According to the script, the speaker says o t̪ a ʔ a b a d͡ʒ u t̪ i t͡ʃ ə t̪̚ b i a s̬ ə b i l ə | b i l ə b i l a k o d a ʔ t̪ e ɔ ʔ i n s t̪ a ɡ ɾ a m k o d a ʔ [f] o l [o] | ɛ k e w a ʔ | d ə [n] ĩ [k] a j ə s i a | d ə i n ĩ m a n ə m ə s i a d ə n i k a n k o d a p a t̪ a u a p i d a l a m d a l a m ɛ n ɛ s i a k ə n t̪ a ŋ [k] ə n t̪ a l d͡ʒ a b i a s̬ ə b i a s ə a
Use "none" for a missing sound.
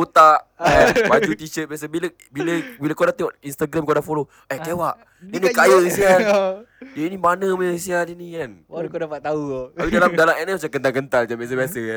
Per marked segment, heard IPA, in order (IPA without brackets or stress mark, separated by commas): f, o, n, k, k